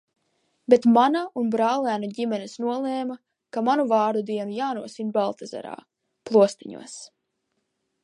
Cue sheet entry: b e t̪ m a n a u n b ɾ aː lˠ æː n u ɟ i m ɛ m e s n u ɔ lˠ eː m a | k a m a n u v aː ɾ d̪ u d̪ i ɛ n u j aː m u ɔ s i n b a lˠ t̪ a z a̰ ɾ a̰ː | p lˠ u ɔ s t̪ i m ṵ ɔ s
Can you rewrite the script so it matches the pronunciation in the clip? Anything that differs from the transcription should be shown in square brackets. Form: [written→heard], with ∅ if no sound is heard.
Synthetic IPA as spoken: b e t̪ m a n a u n b ɾ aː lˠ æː n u ɟ i m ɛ [m→n] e s n u ɔ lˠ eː m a | k a m a n u v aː ɾ d̪ u d̪ i ɛ n u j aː [m→n] u ɔ s i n b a lˠ t̪ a z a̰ ɾ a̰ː | p lˠ u ɔ s t̪ i [m→ɲ] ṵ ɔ s

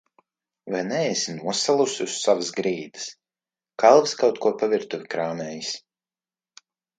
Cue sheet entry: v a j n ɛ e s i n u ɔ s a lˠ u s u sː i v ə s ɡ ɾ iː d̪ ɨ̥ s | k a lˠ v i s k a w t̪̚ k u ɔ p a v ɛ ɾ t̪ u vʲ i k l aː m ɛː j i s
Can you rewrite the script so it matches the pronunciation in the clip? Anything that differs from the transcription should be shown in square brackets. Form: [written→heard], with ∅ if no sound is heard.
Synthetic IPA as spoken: v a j n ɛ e s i n u ɔ s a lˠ u s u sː [i→a] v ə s ɡ ɾ iː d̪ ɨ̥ s | k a lˠ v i s k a w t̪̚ k u ɔ p a v [ɛ→i] ɾ t̪ u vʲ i k [l→ɾ] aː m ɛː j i s

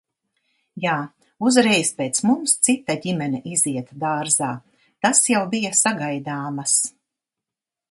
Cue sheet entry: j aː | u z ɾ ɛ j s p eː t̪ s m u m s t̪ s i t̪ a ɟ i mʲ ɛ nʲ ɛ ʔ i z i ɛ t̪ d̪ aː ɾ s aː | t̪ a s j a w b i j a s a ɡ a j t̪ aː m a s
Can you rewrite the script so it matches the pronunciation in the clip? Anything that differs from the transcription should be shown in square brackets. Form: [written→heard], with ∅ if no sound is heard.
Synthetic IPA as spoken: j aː | u z ɾ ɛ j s p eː t̪ s m u m s t̪ s i t̪ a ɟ i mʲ ɛ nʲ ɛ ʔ i z i ɛ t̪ d̪ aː ɾ [s→z] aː | t̪ a s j a w b i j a s a ɡ a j [t̪→d̪] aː m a s

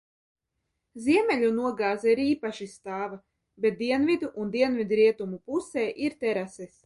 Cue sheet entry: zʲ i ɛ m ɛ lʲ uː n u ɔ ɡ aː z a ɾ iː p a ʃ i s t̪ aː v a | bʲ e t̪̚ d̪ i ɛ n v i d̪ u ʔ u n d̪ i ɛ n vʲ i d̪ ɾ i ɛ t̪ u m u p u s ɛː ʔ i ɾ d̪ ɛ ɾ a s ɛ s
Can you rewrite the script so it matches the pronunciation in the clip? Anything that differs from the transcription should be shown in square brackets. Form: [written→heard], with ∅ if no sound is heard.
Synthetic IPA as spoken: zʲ i ɛ m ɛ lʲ [uː→u] n u ɔ ɡ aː z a ɾ iː p a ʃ i s t̪ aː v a | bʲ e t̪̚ d̪ i ɛ n v i d̪ u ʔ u n d̪ i ɛ n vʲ i d̪ ɾ i ɛ t̪ u m u p u s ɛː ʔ i ɾ [d̪→t̪] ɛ ɾ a s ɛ s

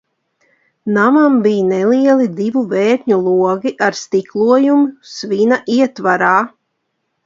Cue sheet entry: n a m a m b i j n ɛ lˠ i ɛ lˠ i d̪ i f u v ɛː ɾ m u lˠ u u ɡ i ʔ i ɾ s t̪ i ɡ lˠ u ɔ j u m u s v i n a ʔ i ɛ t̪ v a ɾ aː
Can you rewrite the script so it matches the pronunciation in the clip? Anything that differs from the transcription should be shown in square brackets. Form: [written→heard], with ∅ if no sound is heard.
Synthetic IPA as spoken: n a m a m b i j n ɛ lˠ i ɛ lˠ i d̪ i [f→v] u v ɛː ɾ [m→ɲ] u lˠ u [u→ɔ] ɡ i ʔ [i→a] ɾ s t̪ i [ɡ→k] lˠ u ɔ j u m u s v i n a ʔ i ɛ t̪ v a ɾ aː

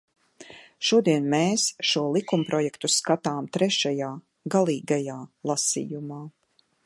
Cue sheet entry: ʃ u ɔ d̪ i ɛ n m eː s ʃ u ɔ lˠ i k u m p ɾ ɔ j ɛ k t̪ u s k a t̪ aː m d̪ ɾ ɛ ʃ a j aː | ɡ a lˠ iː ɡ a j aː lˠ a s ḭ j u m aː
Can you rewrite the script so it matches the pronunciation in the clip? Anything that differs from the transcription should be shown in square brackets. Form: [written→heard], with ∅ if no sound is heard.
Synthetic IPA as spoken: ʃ u ɔ d̪ i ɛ n m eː s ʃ u ɔ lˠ i k u m p ɾ ɔ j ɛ k t̪ u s k a t̪ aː m [d̪→t̪] ɾ ɛ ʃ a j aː | ɡ a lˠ iː ɡ a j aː lˠ a s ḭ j u m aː

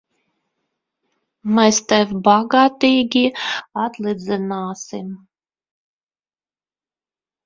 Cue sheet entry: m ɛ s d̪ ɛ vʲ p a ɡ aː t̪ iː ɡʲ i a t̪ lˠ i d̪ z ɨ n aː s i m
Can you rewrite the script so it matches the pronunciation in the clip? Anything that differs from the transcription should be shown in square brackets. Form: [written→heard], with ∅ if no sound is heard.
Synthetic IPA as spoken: m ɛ s [d̪→t̪] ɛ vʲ [p→b] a ɡ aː t̪ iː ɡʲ i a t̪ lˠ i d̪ z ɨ n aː s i m

